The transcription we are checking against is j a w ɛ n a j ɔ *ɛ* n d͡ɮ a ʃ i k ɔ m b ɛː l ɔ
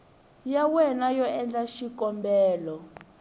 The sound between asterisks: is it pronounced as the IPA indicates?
yes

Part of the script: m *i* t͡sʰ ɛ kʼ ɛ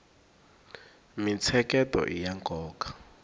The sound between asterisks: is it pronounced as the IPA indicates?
yes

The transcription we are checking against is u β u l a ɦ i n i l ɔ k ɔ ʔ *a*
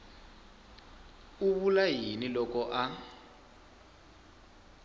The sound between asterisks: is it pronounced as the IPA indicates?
yes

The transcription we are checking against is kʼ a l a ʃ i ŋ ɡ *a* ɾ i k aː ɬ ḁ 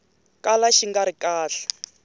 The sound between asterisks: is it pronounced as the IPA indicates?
yes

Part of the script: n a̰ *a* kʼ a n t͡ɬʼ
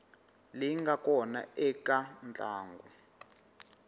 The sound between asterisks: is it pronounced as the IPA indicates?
no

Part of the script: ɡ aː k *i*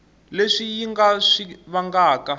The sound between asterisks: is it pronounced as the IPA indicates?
no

